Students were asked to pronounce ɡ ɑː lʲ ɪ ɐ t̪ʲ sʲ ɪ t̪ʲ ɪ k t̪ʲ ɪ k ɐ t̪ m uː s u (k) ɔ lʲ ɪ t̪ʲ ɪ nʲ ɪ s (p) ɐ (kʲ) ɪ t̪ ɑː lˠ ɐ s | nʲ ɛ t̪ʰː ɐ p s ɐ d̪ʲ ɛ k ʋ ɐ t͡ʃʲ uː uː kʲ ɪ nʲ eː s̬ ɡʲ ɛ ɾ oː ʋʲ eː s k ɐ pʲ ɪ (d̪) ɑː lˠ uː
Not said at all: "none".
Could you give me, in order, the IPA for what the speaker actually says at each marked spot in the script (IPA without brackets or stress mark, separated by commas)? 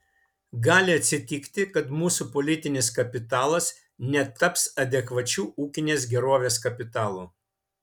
p, k, pʲ, t̪